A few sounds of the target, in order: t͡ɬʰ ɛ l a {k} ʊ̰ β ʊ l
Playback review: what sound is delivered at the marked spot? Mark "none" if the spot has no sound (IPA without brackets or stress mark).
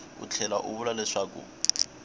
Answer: ʔ